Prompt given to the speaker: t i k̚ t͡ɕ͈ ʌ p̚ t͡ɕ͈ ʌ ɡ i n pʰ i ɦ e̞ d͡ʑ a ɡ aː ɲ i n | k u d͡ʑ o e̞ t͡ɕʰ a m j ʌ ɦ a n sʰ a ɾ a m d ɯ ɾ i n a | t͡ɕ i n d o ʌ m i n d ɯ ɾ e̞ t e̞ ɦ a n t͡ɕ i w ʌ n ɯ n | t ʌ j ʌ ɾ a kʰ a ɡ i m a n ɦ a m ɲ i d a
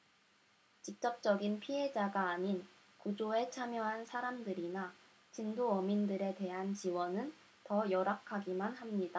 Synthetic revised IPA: t͡ɕ i k̚ t͡ɕ͈ ʌ p̚ t͡ɕ͈ ʌ ɡ i n pʰ i ɦ e̞ d͡ʑ a ɡ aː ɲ i n | k u d͡ʑ o e̞ t͡ɕʰ a m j ʌ ɦ a n sʰ a ɾ a m d ɯ ɾ i n a | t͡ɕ i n d o ʌ m i n d ɯ ɾ e̞ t e̞ ɦ a n t͡ɕ i w ʌ n ɯ n | t ʌ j ʌ ɾ a kʰ a ɡ i m a n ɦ a m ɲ i d a